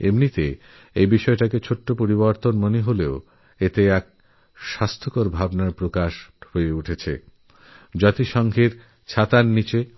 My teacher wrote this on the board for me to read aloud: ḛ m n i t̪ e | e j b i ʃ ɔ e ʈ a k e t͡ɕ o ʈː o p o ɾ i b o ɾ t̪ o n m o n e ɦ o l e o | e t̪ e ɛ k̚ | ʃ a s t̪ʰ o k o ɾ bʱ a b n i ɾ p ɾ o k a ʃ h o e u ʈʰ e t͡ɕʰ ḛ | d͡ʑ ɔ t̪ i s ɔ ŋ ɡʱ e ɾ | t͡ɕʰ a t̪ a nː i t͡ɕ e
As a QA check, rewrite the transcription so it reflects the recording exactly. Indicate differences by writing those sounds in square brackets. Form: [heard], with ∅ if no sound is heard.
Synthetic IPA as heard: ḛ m n i t̪ e | e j b i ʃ ɔ e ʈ a k e [t͡ɕʰ] o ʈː o p o ɾ i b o ɾ t̪ o n m o n e ɦ o l e o | e t̪ e ɛ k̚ | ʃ a s t̪ʰ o k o ɾ bʱ a b n [a] ɾ p ɾ o k a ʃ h o e u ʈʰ e t͡ɕʰ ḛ | d͡ʑ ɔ t̪ i [ʃ] ɔ ŋ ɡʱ e ɾ | t͡ɕʰ a t̪ a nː i t͡ɕ e